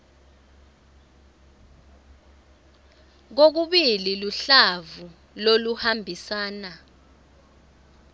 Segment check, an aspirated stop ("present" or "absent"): absent